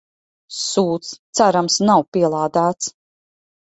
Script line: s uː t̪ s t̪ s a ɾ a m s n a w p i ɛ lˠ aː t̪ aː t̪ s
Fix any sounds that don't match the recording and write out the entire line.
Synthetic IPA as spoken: s uː t̪ s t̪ s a ɾ a m s n a w p i ɛ lˠ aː d̪ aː t̪ s

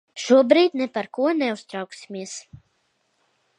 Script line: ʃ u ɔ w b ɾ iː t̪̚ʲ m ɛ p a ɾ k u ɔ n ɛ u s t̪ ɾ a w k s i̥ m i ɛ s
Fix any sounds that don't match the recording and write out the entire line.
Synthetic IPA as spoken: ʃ u ɔ b ɾ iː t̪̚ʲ n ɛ p a ɾ k u ɔ n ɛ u s t̪ ɾ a w k s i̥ m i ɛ s

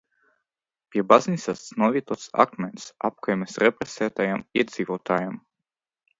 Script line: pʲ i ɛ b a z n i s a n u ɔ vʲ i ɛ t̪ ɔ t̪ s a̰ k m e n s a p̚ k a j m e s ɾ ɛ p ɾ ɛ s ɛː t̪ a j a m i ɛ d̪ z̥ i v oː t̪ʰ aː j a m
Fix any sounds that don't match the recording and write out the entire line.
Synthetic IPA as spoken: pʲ i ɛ b a z n i s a n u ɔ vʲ i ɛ t̪ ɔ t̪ s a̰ k m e n s a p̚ k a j m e s ɾ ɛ p ɾ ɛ s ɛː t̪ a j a m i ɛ d̪ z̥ i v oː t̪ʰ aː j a m

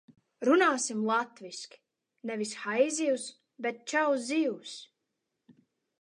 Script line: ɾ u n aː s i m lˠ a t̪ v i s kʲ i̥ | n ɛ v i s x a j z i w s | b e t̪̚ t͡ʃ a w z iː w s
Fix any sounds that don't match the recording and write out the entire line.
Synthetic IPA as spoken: ɾ u n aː s i m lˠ a t̪ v i s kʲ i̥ | n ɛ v i s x a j z i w s | b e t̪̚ t͡ʃ a w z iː w s

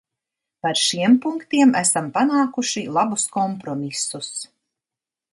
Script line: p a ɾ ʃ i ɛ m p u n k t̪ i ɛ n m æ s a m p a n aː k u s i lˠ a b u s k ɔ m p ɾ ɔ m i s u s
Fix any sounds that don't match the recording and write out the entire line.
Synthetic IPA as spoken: p a ɾ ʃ i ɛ m p u ŋ k t̪ i ɛ m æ s a m p a n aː k u ʃ i lˠ a b u s k ɔ m p ɾ ɔ m i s u s

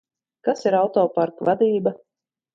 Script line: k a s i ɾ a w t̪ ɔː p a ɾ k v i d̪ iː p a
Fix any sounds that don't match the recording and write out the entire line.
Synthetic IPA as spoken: k a s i ɾ a w t̪ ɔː p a ɾ k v a d̪ iː b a

